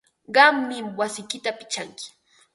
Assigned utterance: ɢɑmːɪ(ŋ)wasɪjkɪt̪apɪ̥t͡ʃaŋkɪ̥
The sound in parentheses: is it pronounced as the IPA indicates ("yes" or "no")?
no